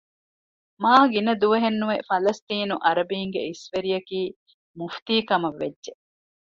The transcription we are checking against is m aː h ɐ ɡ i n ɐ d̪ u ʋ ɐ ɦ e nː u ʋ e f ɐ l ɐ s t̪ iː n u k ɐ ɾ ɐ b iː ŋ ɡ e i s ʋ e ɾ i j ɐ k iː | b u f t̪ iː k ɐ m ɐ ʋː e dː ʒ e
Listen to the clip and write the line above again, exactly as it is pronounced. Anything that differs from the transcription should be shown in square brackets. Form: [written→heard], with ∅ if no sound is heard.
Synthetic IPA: m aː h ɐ ɡ i n ɐ d̪ u ʋ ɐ ɦ e nː u ʋ e f ɐ l ɐ s t̪ iː n u [k→ʔ] ɐ ɾ ɐ b iː ŋ ɡ e i s ʋ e ɾ i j ɐ k iː | [b→m] u f t̪ iː k ɐ m ɐ ʋː e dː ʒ e